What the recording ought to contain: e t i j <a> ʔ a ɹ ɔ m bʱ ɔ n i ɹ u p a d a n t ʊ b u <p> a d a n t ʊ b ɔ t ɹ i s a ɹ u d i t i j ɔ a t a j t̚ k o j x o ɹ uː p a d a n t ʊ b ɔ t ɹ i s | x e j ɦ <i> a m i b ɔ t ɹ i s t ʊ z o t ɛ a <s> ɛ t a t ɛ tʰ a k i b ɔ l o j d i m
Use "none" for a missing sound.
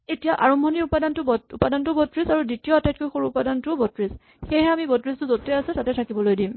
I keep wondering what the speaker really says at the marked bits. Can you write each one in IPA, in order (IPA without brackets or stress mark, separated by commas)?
a, p, ɛ, s